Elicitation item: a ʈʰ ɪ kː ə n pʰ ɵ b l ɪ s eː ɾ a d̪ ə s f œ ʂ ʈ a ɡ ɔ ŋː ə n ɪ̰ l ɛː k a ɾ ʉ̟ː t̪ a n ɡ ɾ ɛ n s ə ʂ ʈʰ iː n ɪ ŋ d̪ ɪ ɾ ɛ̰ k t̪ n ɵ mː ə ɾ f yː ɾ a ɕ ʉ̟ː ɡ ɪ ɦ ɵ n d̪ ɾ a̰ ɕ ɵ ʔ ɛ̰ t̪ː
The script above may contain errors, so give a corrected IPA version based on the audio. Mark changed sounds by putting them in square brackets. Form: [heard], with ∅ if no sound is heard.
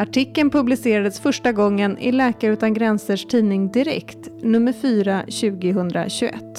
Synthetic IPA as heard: a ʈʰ ɪ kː ə n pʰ ɵ b l ɪ s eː ɾ a d̪ ə s f œ ʂ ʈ a ɡ ɔ ŋː ə n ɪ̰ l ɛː k a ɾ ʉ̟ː t̪ a n ɡ ɾ ɛ n s ə ʂ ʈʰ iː n ɪ ŋ d̪ ɪ ɾ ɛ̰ k t̪ n ɵ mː ə ɾ f yː ɾ a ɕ ʉ̟ː ɡ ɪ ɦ ɵ n d̪ ɾ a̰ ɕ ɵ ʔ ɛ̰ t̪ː